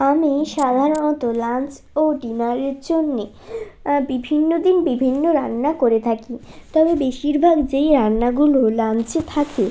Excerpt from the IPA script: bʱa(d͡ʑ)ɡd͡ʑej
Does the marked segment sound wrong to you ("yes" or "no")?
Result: yes